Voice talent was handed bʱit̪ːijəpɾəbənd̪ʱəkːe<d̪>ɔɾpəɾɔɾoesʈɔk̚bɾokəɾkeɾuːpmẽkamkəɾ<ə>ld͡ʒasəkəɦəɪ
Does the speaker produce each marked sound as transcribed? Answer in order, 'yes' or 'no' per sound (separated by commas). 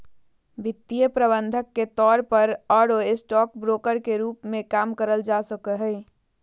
no, yes